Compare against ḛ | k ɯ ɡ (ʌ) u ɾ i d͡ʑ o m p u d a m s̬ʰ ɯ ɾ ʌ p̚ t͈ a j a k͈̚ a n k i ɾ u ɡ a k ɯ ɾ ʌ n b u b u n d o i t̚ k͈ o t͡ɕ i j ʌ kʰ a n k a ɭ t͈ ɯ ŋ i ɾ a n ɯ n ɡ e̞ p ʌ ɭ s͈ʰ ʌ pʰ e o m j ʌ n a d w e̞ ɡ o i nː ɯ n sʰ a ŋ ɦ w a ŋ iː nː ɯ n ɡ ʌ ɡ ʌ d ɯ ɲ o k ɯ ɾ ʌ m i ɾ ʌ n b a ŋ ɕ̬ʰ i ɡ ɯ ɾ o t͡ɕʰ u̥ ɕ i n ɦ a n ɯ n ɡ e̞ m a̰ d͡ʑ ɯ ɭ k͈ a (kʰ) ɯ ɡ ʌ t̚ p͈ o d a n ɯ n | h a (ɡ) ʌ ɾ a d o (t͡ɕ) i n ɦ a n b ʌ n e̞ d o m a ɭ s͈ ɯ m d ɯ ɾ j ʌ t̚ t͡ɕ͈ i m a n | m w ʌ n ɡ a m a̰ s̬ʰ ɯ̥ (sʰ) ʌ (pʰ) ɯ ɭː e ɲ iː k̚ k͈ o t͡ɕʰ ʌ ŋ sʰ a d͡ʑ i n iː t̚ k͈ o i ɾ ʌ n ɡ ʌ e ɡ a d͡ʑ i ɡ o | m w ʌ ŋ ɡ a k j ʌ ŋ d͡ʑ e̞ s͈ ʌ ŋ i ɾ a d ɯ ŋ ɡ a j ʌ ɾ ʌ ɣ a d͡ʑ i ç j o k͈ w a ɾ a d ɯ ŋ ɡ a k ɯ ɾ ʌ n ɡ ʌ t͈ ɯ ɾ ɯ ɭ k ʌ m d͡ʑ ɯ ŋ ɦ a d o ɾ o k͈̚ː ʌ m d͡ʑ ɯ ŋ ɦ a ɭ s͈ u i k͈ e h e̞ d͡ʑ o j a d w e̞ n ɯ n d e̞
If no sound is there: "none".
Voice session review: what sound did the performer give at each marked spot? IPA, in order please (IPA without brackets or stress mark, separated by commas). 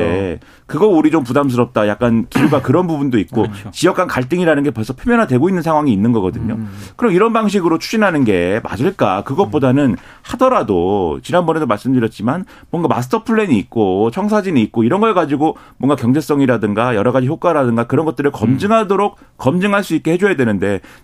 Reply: ʌ, k, d, t͡ɕ, tʰ, pʰ